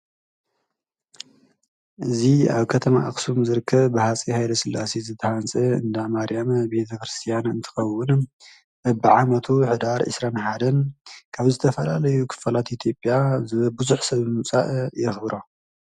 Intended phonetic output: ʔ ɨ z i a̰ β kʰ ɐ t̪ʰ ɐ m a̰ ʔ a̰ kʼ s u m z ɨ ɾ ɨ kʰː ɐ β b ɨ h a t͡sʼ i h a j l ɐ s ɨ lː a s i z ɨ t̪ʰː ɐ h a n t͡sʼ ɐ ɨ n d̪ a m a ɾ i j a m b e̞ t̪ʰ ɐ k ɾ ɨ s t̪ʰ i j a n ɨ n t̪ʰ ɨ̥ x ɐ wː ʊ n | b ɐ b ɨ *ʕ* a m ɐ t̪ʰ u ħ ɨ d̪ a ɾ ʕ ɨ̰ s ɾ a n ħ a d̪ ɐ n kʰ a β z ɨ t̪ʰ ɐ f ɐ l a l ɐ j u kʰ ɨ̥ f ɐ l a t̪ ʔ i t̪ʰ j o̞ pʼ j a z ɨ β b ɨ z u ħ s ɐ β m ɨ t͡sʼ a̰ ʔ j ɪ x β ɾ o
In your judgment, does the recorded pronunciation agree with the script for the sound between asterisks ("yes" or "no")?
yes